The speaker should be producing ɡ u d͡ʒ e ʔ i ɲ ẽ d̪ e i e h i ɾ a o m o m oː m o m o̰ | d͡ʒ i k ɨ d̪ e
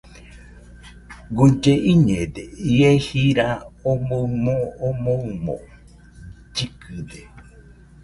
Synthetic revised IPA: ɡ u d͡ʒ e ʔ i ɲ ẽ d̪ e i e h i ɾ a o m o m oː m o m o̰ | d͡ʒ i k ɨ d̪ e